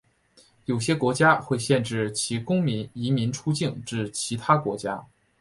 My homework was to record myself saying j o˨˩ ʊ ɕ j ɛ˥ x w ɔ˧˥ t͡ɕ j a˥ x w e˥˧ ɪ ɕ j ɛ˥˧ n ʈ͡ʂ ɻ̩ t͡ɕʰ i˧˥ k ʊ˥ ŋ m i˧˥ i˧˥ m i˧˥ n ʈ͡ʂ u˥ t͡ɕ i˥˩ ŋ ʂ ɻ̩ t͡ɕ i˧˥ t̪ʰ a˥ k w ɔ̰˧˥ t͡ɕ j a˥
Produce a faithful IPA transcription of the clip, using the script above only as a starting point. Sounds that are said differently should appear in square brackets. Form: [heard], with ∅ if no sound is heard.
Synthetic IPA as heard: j o˨˩ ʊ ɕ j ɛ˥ [k] w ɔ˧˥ t͡ɕ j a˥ x w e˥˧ ɪ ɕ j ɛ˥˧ n ʈ͡ʂ ɻ̩ t͡ɕʰ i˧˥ k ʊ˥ ŋ m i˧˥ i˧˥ m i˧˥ n [ʈ͡ʂʰ] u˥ t͡ɕ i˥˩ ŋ [ʈ͡ʂ] ɻ̩ [t͡ɕʰ] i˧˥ t̪ʰ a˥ k w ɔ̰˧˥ t͡ɕ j a˥